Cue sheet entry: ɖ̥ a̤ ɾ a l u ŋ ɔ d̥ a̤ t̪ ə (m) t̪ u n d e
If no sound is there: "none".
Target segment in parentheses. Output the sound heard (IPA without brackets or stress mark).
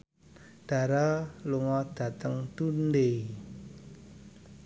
ŋ